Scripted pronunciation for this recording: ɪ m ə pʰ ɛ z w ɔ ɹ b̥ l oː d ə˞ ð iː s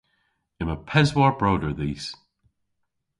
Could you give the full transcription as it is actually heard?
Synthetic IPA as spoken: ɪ m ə pʰ ɛ z w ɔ ɹ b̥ ɹ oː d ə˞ ð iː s